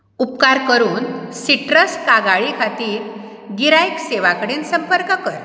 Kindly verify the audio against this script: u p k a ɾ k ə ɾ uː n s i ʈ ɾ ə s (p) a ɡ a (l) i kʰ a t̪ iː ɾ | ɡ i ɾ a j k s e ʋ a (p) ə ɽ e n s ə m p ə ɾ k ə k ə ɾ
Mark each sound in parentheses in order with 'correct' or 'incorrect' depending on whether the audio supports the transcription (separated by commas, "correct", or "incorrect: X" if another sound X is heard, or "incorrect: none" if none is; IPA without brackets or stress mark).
incorrect: k, incorrect: ɭ, incorrect: k